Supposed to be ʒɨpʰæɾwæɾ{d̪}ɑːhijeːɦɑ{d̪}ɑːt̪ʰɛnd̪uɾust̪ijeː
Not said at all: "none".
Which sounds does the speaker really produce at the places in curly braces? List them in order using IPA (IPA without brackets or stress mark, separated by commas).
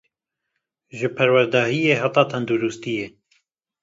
d̪, t̪